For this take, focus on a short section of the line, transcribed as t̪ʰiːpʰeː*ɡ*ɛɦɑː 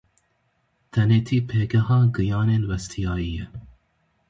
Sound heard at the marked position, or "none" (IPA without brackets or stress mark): ɡ